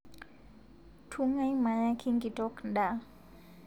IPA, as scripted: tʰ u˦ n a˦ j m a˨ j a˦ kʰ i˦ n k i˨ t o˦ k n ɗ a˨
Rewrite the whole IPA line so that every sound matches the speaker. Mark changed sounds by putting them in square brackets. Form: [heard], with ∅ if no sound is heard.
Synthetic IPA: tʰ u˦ [ŋ] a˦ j m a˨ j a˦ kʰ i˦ [ŋ] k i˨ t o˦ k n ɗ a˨